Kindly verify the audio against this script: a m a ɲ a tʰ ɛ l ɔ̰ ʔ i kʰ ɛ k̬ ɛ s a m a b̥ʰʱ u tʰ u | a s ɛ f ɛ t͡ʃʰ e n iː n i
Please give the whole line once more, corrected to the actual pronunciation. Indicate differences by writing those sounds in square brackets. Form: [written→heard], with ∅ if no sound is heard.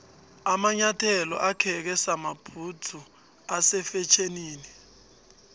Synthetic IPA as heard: a m a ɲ a tʰ ɛ l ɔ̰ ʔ [i→a] kʰ ɛ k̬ ɛ s a m a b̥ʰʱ u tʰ u | a s ɛ f ɛ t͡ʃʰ e n iː n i